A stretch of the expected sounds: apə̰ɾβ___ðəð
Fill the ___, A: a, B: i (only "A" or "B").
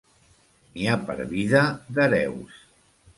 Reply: B